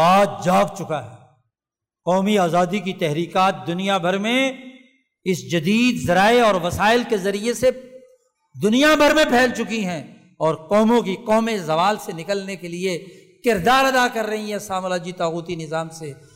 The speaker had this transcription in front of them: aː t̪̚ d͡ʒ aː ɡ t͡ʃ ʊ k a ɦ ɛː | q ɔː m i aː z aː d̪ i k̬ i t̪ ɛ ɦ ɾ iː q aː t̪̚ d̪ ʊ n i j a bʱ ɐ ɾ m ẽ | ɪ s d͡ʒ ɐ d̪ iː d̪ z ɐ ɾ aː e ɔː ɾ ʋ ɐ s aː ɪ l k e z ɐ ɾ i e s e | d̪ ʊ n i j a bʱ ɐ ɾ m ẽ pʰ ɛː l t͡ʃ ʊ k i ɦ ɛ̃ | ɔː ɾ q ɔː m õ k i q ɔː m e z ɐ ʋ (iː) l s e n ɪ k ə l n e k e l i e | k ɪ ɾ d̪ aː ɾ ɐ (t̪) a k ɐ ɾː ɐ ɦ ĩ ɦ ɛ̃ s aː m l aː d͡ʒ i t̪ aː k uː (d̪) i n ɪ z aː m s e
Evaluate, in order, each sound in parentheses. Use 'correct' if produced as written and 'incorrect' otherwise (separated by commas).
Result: incorrect, incorrect, incorrect